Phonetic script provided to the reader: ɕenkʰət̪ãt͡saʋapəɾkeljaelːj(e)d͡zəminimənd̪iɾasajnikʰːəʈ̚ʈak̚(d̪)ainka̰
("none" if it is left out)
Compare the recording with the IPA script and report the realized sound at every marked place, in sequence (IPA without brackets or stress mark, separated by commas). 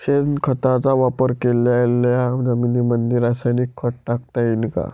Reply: a, t̪